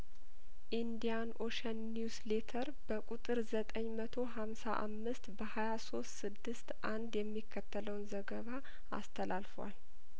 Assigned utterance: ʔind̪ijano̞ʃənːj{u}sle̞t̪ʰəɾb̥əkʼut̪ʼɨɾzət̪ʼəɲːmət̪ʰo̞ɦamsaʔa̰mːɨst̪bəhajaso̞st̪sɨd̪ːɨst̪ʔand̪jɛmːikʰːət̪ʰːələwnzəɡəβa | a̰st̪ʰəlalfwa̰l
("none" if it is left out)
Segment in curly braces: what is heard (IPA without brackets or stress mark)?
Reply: u